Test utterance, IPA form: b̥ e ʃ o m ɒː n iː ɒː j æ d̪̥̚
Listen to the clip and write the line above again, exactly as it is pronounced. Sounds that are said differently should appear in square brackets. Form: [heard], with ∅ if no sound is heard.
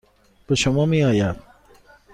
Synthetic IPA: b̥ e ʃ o m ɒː [m] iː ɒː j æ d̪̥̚